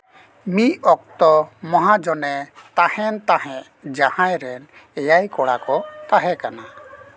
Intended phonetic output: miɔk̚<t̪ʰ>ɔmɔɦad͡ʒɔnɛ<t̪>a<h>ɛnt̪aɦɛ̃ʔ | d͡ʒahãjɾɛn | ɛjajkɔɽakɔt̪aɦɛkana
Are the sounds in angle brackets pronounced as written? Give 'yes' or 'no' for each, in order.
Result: no, yes, yes

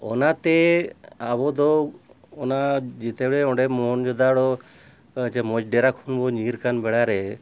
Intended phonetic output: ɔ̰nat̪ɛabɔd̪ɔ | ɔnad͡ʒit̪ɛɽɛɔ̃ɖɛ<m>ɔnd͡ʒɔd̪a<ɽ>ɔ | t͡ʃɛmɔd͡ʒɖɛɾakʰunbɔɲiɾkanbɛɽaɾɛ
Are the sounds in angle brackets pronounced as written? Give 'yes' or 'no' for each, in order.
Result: yes, yes

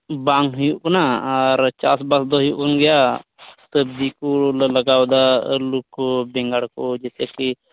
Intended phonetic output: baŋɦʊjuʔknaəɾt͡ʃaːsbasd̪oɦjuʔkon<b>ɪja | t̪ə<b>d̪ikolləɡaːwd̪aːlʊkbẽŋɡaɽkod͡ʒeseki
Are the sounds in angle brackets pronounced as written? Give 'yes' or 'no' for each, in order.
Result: no, yes

